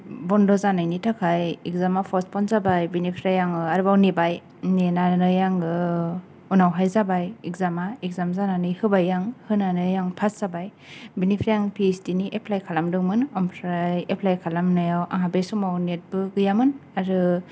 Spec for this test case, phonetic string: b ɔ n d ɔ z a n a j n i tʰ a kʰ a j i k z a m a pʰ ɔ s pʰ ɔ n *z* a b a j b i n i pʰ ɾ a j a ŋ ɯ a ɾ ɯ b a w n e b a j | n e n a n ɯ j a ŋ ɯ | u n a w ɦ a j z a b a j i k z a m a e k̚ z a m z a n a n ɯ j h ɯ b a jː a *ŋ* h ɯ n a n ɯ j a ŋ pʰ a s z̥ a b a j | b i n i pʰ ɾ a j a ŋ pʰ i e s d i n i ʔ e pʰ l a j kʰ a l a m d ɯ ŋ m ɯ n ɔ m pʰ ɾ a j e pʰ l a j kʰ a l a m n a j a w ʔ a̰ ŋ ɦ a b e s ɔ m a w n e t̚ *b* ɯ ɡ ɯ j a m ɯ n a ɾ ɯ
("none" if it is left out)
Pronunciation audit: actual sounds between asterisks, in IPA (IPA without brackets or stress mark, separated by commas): z, ŋ, b